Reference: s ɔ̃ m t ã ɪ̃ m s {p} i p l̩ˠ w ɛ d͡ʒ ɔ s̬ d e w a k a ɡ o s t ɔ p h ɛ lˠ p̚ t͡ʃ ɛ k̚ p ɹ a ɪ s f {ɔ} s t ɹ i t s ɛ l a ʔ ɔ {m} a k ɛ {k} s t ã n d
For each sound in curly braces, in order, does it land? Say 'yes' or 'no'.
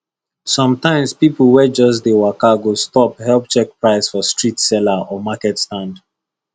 yes, yes, yes, no

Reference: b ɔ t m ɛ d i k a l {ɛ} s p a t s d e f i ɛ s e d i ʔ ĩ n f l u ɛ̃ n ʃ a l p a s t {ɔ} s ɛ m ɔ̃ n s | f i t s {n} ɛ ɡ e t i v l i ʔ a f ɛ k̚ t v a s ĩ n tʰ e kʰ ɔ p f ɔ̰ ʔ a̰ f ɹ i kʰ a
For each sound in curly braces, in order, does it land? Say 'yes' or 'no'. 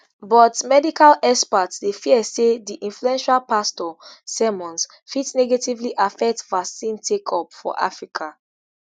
yes, yes, yes

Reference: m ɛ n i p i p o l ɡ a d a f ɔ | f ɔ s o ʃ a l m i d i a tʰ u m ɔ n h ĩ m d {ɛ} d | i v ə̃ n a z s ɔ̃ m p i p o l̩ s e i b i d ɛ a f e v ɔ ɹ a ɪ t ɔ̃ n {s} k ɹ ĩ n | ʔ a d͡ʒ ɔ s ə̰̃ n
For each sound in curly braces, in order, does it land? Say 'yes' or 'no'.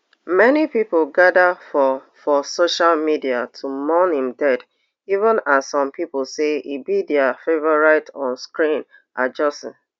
yes, yes

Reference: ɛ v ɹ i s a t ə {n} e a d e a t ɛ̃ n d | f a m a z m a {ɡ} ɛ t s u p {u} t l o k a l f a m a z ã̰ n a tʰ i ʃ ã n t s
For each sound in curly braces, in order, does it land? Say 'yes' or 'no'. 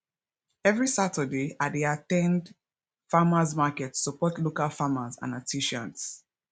no, no, no

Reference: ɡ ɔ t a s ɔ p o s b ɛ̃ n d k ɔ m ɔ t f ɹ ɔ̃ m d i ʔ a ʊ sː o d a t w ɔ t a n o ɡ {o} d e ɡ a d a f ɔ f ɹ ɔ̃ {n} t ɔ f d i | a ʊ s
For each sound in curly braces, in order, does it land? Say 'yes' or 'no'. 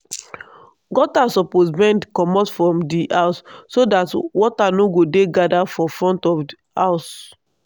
yes, yes

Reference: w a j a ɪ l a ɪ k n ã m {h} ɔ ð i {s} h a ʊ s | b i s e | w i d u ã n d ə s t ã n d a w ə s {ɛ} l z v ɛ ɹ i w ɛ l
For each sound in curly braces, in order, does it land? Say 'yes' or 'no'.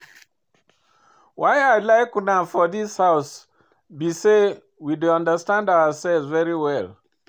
no, yes, yes

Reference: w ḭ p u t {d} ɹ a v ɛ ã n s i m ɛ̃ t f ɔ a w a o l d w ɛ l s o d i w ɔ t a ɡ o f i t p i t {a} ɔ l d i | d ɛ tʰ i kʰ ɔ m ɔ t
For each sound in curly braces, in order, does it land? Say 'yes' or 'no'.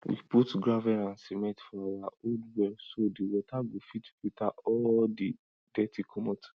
no, yes

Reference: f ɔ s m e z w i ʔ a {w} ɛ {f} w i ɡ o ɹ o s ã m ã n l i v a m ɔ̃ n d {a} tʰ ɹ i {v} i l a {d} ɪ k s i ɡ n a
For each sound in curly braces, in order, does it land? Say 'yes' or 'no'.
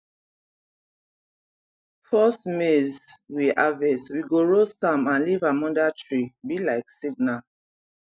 no, no, yes, no, no

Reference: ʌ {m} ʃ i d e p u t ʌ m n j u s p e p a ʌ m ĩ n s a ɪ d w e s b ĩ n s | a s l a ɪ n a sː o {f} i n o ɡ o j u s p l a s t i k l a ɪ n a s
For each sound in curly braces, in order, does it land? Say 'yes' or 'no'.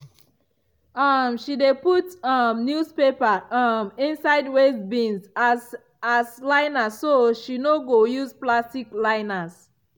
yes, no

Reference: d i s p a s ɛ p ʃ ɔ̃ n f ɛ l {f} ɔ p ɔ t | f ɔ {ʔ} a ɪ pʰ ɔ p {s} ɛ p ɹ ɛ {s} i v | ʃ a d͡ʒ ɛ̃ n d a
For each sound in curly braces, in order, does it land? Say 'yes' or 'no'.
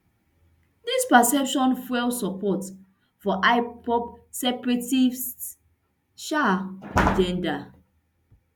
no, yes, yes, no

